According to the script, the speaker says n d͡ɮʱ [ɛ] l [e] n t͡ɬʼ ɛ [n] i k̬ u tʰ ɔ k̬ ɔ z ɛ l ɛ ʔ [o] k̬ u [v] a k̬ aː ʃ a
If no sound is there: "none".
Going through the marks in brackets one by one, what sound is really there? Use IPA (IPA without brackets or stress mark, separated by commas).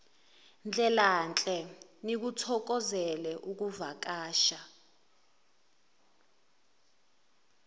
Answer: ɛ, a, n, u, v